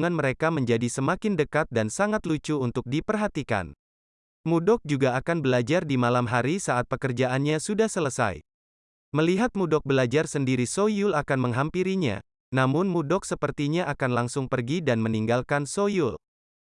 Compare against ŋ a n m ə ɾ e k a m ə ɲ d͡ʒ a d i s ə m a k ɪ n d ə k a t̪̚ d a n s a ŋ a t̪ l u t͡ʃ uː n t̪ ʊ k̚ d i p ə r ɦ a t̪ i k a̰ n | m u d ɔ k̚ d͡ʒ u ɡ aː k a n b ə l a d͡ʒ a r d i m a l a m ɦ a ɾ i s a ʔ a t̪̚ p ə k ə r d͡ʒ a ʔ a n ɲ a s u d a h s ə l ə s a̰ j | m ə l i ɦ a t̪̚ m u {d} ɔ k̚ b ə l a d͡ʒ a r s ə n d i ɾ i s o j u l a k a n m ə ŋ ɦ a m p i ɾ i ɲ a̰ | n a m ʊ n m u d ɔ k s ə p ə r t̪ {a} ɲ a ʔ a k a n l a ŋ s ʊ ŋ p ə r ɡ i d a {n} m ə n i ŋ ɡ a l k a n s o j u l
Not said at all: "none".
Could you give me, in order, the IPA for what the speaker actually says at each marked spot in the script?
d, i, n

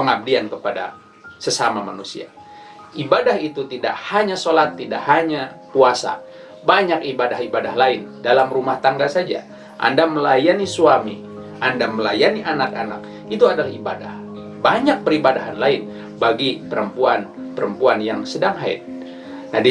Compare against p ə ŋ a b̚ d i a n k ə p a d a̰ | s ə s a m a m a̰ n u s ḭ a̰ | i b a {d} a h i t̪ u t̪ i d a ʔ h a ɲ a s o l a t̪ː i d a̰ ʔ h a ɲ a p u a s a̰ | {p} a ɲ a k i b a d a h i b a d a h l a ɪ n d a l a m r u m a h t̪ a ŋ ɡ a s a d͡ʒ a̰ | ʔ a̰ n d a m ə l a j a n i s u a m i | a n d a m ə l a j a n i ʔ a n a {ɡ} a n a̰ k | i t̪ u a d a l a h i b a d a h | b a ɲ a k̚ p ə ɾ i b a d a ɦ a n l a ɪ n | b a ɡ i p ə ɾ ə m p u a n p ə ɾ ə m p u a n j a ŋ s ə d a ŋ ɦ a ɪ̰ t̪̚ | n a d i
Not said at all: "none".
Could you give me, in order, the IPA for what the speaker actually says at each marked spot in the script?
d, b, k

